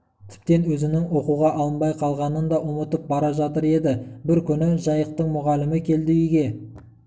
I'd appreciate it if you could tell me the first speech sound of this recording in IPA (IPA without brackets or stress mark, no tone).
t̪ʰ